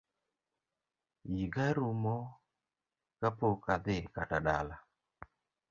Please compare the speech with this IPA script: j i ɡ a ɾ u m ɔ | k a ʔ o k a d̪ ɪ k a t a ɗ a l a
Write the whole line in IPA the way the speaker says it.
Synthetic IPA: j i ɡ a ɾ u m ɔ | k a p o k a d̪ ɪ k a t a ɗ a l a